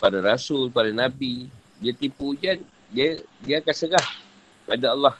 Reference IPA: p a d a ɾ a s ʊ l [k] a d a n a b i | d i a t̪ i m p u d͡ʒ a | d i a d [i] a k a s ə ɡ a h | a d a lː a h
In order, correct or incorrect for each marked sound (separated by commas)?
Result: incorrect, correct